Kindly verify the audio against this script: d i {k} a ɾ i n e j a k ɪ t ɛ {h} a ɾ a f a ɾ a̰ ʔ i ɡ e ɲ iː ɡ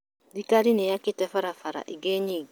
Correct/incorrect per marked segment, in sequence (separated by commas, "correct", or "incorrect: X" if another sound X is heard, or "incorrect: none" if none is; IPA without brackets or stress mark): correct, incorrect: f